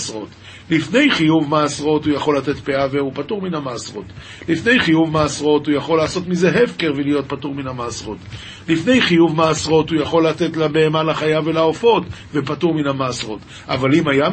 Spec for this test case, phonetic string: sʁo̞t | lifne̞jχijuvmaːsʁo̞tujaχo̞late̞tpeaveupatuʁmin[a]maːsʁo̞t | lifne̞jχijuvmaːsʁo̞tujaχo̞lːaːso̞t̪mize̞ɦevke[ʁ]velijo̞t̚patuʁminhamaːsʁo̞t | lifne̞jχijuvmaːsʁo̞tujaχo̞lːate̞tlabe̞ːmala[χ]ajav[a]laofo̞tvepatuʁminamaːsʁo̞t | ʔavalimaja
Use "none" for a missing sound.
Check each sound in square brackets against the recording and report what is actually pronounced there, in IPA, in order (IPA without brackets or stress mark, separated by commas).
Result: a, ʁ, χ, e